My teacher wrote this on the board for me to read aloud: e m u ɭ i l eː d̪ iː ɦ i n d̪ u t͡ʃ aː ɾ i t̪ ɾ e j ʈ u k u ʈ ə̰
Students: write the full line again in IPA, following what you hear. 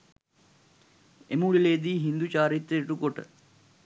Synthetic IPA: e m u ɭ i l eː d̪ iː ɦ i n d̪ u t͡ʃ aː ɾ i t̪ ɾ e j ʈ u k o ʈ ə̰